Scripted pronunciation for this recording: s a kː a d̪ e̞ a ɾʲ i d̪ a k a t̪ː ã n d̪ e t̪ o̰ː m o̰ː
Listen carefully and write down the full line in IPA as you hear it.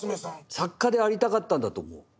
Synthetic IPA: s a kː a d̪ e̞ a ɾʲ i t̪ a k a t̪ː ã n d̪ a t̪ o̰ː m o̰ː